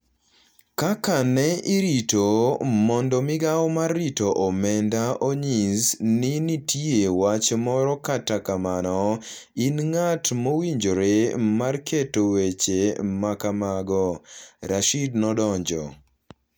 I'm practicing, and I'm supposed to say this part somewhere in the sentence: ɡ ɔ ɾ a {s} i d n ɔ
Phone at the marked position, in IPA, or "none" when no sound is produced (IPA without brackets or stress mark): ʃ